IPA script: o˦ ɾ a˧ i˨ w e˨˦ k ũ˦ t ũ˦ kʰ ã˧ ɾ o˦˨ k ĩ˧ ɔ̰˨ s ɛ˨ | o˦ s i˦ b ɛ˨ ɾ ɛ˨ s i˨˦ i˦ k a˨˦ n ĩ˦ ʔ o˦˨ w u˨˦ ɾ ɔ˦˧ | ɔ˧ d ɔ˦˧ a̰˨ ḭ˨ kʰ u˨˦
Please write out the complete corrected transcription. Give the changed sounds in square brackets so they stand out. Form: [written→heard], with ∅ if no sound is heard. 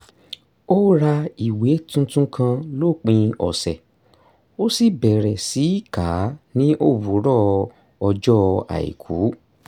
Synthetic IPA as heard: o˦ ɾ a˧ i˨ w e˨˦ [k→t] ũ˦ t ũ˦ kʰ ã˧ [ɾ→l] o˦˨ [k→k͡p] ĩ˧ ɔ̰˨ s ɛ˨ | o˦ s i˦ b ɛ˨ ɾ ɛ˨ s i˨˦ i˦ k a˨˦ n ĩ˦ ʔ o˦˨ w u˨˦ ɾ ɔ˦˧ | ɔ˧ [d→d͡ʒ] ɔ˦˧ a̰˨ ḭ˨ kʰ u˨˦

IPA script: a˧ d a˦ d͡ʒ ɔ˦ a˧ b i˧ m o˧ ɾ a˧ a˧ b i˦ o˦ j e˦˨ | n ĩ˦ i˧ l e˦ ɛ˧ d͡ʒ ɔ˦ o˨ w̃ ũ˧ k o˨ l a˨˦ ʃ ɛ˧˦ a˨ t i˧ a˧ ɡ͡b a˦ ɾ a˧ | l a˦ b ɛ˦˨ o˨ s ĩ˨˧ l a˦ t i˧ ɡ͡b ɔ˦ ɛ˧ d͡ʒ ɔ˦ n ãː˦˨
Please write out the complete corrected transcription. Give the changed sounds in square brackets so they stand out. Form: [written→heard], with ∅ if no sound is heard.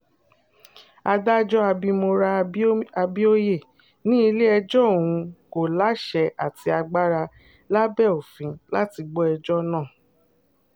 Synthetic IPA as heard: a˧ d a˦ d͡ʒ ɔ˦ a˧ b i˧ m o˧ ɾ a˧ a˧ b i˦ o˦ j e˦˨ | n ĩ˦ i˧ l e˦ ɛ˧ d͡ʒ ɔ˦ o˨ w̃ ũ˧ k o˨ l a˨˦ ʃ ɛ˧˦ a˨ t i˧ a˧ ɡ͡b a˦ ɾ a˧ | l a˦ b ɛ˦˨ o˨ [s→f] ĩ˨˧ l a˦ t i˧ ɡ͡b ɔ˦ ɛ˧ d͡ʒ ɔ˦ n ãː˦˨

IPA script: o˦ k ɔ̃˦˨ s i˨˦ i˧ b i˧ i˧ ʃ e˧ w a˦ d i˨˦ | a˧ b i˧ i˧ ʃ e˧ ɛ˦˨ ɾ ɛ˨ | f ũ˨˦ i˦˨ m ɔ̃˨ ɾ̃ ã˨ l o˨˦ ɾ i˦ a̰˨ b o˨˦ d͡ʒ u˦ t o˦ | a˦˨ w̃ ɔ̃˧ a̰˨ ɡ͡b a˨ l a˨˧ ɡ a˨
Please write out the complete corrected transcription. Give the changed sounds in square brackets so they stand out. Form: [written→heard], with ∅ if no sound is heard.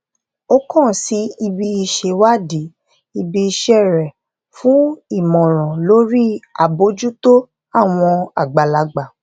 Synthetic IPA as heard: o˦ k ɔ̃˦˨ s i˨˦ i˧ b i˧ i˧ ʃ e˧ w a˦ d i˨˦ | [a˧→i˧] b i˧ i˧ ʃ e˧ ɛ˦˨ ɾ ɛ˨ | f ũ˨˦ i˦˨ m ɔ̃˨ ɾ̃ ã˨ l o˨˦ ɾ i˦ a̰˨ b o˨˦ d͡ʒ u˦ t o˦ | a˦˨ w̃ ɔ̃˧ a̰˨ ɡ͡b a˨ l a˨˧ [ɡ→ɡ͡b] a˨

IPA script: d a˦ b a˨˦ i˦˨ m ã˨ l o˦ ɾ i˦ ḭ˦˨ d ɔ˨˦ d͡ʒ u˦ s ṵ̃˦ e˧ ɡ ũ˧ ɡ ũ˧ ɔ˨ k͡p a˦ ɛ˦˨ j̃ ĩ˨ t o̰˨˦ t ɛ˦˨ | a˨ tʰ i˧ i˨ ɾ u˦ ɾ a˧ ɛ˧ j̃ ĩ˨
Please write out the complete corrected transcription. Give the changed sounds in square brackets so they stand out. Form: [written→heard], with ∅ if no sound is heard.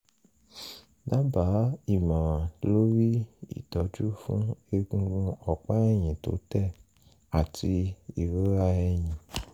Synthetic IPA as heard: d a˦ b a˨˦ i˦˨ m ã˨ l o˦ ɾ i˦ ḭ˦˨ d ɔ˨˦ d͡ʒ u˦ [s→f] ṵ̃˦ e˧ ɡ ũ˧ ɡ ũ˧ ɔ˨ k͡p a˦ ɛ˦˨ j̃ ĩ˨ t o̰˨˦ t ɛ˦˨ | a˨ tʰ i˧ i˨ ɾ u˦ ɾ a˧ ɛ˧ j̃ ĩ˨

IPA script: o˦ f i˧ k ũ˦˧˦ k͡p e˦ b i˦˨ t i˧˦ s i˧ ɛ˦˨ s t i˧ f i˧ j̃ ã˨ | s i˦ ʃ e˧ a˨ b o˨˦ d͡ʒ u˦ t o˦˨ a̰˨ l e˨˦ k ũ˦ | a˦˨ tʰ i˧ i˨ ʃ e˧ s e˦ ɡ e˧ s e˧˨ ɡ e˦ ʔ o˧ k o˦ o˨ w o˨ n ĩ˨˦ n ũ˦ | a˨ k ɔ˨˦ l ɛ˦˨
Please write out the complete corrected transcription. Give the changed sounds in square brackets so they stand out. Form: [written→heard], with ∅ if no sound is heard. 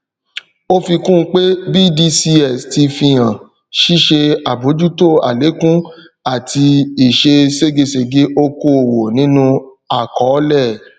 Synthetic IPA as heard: o˦ f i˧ k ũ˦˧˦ k͡p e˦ b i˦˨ [t→d] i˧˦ s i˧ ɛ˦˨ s t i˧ f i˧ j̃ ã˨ | [s→ʃ] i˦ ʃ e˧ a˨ b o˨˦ d͡ʒ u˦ t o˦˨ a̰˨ l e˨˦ k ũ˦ | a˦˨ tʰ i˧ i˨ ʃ e˧ s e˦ ɡ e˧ s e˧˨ ɡ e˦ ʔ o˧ k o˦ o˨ w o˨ n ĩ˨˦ n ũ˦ | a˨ k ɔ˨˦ l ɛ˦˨

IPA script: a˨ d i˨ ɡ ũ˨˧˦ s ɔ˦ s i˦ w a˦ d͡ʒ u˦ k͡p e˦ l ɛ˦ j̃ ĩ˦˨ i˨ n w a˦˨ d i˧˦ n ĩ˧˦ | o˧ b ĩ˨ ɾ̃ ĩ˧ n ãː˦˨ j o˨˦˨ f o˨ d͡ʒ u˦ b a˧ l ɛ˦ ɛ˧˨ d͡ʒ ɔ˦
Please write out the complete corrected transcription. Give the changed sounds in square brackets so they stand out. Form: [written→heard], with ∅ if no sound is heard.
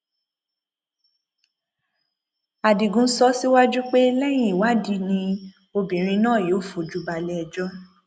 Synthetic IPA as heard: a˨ d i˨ ɡ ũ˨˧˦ s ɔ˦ s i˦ w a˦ d͡ʒ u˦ k͡p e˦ l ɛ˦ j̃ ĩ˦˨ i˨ [n→∅] w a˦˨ d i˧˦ n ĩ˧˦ | o˧ b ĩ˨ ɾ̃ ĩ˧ n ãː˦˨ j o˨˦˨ f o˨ d͡ʒ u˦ b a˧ l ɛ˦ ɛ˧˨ d͡ʒ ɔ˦

